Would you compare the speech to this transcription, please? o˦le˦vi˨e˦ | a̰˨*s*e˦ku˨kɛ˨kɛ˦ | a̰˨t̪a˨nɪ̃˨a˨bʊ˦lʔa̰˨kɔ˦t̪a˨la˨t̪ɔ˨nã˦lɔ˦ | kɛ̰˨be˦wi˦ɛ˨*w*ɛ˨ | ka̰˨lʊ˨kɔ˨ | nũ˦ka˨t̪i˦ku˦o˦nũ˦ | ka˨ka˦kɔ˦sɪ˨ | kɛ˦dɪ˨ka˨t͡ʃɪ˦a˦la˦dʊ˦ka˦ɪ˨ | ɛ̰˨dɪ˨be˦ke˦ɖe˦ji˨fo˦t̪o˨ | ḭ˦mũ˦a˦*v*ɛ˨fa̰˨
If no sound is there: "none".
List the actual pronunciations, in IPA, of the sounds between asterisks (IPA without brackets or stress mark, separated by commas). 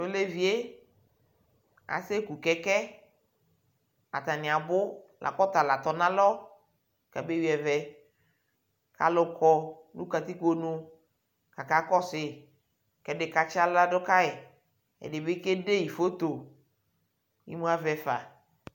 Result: s, v, v